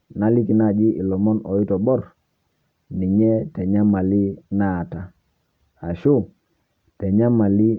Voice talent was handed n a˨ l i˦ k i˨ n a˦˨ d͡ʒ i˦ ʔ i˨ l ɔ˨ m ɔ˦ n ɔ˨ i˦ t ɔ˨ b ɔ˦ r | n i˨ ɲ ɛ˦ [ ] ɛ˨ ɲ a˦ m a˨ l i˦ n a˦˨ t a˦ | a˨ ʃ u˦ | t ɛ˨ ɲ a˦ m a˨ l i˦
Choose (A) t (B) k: A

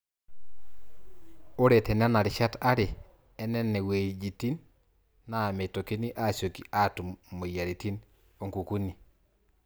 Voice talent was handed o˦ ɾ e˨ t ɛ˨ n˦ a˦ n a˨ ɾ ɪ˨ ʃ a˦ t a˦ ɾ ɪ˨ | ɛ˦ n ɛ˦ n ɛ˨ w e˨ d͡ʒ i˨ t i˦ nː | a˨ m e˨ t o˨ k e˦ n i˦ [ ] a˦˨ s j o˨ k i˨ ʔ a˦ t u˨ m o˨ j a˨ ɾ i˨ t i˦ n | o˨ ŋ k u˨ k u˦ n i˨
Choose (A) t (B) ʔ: B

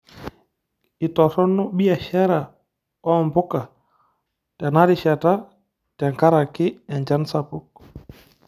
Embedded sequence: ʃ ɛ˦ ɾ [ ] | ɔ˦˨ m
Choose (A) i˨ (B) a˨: B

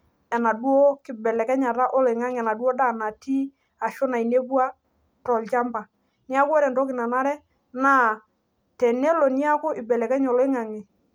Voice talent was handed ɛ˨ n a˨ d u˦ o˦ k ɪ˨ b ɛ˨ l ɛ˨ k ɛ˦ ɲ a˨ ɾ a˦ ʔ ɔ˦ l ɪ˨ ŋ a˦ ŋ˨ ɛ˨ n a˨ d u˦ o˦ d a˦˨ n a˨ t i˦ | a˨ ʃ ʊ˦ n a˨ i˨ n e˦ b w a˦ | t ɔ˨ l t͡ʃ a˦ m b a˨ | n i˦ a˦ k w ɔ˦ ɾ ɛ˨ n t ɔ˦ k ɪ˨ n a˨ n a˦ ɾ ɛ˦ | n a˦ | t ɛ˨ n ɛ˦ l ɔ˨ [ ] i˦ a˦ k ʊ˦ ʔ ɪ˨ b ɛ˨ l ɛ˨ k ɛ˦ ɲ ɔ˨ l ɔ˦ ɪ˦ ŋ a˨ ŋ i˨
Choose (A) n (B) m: A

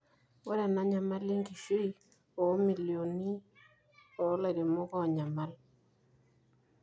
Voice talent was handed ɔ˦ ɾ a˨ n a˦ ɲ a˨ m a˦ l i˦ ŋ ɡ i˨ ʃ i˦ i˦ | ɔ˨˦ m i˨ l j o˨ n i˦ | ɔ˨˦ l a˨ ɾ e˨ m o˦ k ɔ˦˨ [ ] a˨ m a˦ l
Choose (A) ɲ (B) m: A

